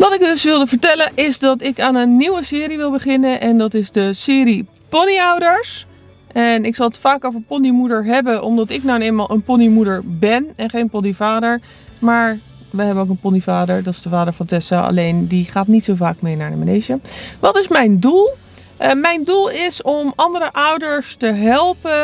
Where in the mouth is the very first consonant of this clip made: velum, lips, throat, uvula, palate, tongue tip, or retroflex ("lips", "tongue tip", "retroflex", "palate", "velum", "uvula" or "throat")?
lips